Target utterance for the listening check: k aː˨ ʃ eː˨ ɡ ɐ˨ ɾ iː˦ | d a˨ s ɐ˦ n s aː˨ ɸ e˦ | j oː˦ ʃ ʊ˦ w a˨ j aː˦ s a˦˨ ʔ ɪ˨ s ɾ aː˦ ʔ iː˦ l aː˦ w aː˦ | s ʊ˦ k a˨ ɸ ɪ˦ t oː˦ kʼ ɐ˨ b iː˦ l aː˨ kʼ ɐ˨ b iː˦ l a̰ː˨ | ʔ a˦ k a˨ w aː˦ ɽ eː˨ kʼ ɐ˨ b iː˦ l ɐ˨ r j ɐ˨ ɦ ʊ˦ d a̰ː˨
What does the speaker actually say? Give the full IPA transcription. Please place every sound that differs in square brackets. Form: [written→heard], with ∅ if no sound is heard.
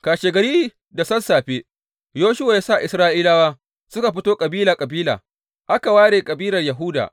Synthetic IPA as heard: k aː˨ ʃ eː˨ ɡ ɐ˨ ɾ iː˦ | d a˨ s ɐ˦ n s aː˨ ɸ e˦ | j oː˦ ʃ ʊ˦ w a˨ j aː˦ s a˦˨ ʔ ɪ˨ s ɾ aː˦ ʔ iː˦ l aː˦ w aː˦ | s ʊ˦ k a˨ ɸ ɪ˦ t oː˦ kʼ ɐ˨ b iː˦ l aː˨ kʼ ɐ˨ b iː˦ l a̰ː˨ | ʔ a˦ k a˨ w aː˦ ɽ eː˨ kʼ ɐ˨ b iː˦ l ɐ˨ r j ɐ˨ ɦ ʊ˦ d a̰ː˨